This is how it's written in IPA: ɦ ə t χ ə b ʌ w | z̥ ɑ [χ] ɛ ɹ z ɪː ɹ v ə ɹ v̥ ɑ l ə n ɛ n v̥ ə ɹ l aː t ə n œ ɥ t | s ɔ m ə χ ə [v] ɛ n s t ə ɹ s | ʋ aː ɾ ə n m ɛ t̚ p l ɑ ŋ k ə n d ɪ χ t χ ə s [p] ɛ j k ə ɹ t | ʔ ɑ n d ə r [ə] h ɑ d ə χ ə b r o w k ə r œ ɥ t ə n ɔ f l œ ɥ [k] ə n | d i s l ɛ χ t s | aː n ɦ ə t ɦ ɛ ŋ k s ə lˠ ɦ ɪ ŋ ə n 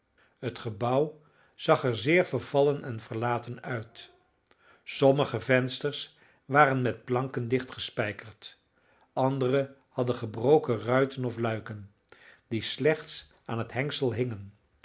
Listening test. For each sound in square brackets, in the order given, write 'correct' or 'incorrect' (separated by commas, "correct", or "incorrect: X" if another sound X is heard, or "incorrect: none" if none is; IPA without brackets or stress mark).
correct, correct, correct, correct, correct